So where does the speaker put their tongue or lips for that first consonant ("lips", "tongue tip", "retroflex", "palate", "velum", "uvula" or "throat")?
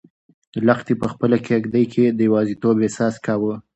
tongue tip